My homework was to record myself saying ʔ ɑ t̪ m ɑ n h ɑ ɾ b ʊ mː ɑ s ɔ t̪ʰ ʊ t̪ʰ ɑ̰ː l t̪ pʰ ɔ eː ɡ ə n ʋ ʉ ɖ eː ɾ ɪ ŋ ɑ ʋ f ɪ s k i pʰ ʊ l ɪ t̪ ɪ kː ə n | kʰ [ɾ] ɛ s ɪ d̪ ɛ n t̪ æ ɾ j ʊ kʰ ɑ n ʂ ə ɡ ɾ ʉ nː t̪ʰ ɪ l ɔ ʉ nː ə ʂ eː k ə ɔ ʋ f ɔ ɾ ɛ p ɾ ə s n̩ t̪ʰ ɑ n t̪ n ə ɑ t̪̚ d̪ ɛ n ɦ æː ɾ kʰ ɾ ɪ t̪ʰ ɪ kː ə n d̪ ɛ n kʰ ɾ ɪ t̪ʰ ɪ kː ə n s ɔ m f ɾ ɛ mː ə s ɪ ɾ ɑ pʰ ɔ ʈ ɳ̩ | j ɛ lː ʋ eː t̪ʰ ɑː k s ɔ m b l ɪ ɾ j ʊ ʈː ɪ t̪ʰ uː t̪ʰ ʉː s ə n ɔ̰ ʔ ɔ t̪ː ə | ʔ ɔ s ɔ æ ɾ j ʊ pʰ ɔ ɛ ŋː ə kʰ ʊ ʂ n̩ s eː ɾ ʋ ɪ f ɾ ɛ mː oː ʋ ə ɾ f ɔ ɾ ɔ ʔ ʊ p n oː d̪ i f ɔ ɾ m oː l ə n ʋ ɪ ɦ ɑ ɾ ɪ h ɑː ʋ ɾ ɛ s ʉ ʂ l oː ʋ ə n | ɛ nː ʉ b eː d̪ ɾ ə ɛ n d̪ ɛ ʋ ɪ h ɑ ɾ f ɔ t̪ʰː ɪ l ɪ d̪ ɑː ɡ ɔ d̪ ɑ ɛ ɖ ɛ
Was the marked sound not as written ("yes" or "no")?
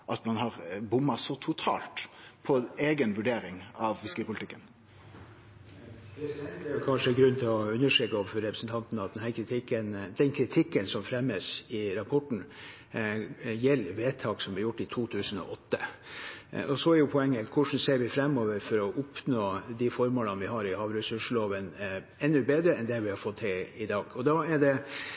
no